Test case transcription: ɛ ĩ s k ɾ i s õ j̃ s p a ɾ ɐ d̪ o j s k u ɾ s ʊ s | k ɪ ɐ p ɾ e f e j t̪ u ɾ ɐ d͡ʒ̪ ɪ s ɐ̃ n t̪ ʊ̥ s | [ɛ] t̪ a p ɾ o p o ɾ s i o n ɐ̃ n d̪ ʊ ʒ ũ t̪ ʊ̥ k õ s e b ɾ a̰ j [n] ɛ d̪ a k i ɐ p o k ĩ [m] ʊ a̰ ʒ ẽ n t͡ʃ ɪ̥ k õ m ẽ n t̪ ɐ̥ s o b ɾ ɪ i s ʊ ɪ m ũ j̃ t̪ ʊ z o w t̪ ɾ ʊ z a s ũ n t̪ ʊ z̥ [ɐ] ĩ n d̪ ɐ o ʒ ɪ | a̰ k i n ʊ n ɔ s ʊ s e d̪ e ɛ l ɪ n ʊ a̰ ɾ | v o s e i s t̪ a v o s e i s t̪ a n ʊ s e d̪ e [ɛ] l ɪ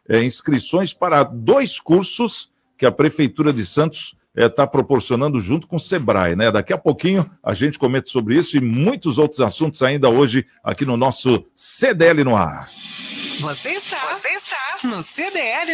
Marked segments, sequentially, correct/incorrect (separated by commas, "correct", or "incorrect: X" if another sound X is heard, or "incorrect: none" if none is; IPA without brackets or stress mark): correct, correct, incorrect: ɲ, incorrect: a, correct